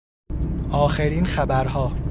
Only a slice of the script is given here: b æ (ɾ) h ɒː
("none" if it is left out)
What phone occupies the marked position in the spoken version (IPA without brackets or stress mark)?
ɾ